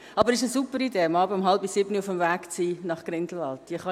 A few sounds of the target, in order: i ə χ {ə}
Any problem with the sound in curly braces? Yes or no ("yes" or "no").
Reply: yes